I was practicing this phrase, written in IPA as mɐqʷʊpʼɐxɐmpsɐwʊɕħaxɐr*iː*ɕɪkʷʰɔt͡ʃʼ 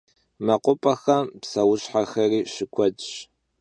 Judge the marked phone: correct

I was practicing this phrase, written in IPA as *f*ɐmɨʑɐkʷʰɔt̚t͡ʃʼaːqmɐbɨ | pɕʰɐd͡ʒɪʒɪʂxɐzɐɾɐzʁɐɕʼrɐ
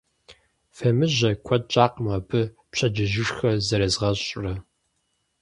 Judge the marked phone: correct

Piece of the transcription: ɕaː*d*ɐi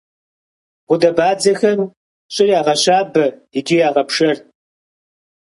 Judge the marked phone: incorrect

